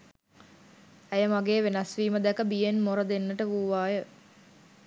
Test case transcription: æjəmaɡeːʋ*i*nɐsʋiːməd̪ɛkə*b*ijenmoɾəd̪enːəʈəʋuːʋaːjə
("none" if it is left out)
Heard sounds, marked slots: e, b

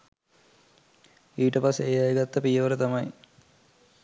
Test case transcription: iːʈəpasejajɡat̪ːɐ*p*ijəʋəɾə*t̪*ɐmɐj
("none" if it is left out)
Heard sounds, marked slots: p, t̪

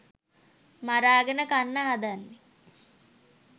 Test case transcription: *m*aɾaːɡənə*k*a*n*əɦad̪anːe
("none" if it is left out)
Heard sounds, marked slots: m, k, nː

